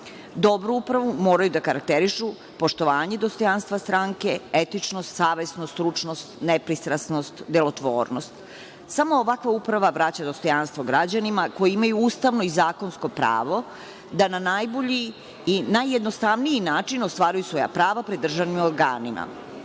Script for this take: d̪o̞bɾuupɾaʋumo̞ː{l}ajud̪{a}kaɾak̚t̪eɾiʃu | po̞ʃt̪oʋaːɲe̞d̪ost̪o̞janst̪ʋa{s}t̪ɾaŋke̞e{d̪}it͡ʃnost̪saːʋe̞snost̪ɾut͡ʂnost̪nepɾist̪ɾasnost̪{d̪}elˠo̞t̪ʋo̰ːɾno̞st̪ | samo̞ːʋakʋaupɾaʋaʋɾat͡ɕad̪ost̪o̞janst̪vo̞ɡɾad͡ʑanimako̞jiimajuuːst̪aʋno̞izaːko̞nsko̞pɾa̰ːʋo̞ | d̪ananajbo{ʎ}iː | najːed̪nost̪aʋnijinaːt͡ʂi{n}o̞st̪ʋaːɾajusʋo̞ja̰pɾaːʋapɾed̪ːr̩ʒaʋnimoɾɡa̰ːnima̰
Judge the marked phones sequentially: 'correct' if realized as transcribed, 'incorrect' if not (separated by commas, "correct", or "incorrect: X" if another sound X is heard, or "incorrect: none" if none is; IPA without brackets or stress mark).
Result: incorrect: ɾ, correct, correct, incorrect: t̪, correct, correct, correct